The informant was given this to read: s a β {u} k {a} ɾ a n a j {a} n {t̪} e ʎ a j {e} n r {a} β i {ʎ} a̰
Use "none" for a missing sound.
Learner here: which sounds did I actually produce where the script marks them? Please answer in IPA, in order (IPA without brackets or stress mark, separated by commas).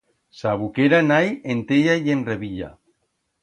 u, e, e, t̪, e, e, ʎ